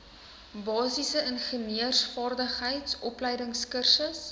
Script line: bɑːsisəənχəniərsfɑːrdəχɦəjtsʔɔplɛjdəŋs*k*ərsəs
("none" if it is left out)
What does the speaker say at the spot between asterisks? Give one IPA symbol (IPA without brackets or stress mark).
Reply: k